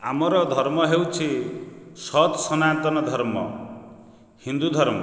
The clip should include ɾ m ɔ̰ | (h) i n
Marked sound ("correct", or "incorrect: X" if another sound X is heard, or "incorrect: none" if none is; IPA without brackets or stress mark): correct